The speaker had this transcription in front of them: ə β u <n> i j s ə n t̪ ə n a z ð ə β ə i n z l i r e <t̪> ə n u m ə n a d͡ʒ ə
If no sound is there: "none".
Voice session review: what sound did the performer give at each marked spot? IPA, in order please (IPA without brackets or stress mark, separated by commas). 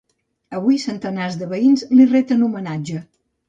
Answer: none, t̪